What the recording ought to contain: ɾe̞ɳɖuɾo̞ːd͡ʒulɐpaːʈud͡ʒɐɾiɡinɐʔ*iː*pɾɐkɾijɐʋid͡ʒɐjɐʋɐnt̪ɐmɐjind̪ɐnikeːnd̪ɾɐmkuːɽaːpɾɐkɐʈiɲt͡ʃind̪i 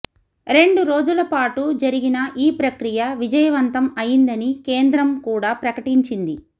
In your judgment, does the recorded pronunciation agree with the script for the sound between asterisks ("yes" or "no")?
yes